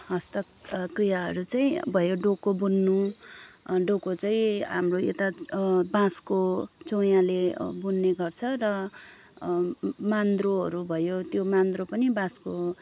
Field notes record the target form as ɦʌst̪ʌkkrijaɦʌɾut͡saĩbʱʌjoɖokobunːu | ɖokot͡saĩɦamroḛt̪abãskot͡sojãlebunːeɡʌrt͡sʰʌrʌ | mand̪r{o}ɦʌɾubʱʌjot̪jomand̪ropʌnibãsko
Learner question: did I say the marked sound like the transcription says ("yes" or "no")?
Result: yes